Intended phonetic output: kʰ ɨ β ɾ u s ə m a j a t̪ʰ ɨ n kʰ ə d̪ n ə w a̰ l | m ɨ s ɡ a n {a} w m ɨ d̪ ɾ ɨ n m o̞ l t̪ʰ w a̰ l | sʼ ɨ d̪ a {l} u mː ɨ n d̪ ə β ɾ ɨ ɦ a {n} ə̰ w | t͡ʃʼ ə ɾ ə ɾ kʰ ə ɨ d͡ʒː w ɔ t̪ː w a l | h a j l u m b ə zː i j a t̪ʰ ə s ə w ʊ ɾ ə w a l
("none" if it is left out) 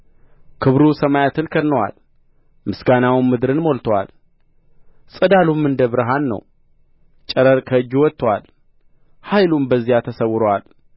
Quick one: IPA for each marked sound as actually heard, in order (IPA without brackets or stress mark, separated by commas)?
a, l, nː